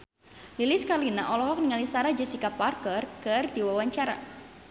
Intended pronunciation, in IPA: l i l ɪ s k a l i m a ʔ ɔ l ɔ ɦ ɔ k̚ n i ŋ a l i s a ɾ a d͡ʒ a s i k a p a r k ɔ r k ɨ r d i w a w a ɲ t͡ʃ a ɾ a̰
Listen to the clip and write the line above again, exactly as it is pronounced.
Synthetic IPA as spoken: l i l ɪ s k a l i n a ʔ ɔ l ɔ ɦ ɔ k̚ n i ŋ a l i s a ɾ a d͡ʒ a s i k a p a r k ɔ r k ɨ r d i w a w a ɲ t͡ʃ a ɾ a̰